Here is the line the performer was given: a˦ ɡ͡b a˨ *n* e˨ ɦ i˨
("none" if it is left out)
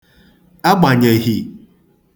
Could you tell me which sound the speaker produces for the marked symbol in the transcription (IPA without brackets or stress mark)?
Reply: ɲ